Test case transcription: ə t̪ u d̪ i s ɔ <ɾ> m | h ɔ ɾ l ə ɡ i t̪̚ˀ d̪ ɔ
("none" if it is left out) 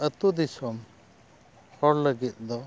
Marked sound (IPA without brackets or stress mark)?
none